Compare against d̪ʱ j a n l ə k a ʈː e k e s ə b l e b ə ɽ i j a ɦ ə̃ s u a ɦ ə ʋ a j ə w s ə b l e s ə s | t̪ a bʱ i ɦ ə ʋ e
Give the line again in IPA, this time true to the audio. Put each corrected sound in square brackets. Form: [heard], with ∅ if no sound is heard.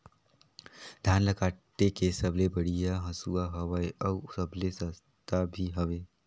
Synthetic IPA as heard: d̪ʱ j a n l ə k a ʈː e k e s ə b l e b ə ɽ i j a ɦ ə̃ s u a ɦ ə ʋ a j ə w s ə b l e s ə s | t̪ a bʱ i ɦ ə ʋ e